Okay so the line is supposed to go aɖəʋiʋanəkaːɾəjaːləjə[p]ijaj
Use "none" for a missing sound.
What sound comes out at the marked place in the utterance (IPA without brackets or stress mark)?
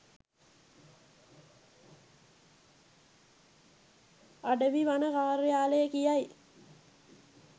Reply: k